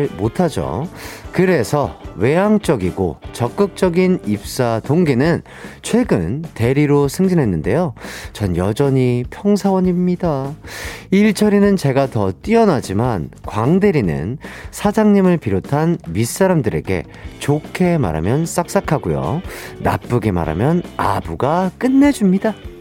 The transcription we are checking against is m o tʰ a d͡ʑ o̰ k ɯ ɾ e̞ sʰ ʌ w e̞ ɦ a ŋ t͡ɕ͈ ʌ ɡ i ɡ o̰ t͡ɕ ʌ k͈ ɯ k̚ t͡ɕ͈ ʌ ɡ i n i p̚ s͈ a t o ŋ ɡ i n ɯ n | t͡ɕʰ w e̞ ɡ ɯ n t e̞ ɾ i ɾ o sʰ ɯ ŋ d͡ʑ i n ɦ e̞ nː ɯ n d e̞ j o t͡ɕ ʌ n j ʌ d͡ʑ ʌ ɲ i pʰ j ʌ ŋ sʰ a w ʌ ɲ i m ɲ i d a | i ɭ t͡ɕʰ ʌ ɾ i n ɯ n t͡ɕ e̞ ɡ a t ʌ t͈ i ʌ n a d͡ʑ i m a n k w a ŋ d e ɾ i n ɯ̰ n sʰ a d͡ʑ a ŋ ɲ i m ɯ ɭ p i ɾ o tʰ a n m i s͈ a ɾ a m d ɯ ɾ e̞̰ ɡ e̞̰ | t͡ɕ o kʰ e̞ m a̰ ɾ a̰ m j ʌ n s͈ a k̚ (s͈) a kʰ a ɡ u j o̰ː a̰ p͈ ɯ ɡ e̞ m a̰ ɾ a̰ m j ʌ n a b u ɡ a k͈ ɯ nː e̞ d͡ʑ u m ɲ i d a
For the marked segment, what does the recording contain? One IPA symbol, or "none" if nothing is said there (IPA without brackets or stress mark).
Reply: s͈